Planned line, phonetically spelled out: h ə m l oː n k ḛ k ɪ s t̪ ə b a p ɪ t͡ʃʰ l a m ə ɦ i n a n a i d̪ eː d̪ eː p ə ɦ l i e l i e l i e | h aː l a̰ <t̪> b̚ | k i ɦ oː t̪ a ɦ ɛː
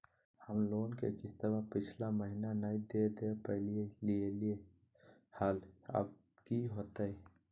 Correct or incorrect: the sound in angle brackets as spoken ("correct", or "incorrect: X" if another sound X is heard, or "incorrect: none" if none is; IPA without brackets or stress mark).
incorrect: none